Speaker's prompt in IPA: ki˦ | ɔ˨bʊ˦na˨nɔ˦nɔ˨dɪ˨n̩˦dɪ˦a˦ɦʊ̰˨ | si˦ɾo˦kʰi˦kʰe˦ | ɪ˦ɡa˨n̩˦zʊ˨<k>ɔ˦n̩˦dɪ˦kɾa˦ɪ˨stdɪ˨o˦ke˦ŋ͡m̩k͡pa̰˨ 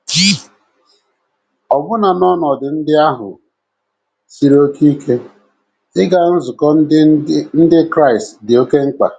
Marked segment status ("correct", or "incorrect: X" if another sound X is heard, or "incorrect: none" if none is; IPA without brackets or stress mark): correct